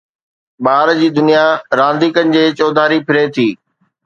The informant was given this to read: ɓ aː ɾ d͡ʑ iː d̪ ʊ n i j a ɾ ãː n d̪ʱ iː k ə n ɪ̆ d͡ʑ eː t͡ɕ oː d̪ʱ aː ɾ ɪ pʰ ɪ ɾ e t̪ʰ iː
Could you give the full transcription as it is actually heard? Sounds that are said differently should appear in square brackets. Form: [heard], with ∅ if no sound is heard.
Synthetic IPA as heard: ɓ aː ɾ d͡ʑ iː d̪ ʊ n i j a ɾ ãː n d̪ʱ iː k ə n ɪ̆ d͡ʑ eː t͡ɕ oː d̪ʱ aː ɾ [i] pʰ ɪ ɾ e t̪ʰ iː